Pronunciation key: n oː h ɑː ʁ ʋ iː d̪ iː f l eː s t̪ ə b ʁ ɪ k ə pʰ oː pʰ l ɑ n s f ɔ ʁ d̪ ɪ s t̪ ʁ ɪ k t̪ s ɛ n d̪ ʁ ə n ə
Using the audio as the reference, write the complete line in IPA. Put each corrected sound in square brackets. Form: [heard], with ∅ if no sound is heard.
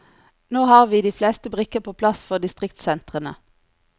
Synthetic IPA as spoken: n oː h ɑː ʁ ʋ iː d̪ iː f l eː s t̪ ə b ʁ ɪ k ə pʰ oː pʰ l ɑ [∅] s f ɔ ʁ d̪ ɪ s t̪ ʁ ɪ k t̪ s ɛ n [t̪] ʁ ə n ə